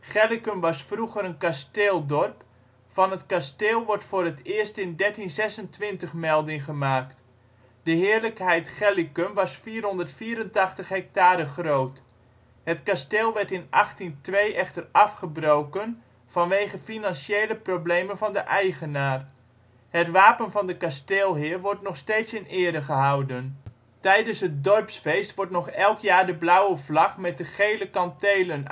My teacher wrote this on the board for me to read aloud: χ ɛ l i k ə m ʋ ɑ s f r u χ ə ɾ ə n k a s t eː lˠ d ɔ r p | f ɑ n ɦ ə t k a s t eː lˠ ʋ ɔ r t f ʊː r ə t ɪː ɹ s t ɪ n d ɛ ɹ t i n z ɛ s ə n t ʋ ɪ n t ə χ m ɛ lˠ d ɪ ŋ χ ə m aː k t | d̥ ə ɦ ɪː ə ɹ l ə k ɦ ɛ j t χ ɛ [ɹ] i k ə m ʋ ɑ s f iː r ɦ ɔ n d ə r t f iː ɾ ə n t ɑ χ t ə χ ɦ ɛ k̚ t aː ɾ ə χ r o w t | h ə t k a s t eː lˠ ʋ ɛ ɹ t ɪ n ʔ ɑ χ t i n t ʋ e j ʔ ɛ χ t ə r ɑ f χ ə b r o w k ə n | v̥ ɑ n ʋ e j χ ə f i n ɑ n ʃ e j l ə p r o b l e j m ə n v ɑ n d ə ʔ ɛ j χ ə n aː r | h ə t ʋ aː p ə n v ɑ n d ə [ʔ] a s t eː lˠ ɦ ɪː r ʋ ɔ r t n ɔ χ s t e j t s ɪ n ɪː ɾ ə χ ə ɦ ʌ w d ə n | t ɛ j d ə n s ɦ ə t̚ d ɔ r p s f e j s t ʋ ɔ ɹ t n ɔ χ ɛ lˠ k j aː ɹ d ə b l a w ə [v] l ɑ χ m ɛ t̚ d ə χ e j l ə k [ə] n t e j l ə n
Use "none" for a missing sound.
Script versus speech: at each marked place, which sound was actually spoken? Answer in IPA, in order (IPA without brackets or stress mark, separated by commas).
l, k, v, ɑ